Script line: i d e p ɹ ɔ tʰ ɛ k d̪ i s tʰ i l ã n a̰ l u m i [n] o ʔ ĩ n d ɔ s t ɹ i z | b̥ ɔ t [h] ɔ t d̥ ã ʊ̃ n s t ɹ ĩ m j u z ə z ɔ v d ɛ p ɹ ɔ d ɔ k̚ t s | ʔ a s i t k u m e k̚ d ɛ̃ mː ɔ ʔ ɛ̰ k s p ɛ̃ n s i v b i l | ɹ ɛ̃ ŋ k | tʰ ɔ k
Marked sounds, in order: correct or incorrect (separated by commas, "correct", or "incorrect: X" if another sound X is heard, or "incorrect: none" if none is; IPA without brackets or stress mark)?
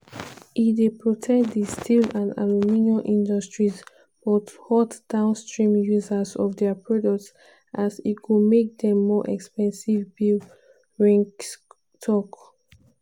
correct, correct